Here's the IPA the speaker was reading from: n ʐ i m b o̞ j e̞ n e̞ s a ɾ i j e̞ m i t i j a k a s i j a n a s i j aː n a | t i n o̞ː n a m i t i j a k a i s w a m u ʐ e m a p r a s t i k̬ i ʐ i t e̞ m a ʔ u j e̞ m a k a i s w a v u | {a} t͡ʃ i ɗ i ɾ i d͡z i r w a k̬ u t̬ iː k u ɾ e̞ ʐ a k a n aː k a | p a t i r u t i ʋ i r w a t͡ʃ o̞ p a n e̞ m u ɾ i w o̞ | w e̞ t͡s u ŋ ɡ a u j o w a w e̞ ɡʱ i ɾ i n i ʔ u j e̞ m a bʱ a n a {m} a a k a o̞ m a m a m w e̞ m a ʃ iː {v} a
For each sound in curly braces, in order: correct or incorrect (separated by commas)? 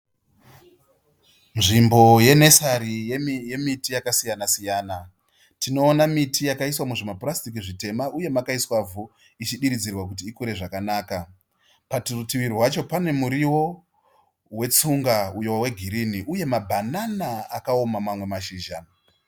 incorrect, incorrect, incorrect